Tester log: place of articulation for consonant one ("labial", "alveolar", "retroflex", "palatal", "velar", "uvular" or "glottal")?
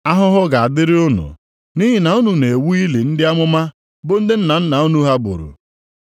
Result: glottal